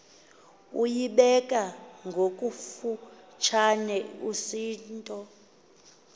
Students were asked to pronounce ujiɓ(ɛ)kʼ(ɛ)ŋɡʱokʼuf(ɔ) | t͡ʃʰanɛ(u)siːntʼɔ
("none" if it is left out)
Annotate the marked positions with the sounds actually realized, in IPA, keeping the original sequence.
ɛ, a, u, u

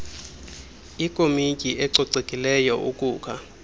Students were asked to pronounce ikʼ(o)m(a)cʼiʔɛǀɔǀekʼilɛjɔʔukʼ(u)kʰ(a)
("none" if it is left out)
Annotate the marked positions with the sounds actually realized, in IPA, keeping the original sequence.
o, i, uː, a

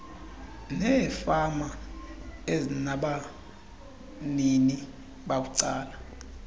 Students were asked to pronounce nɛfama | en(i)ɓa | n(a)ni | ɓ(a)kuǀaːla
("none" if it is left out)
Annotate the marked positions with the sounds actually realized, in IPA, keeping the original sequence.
a, i, a

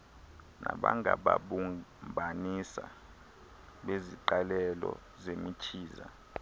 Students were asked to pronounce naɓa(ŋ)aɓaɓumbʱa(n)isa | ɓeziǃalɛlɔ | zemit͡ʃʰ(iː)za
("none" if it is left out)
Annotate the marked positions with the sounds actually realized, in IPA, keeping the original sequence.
ŋ, n, iː

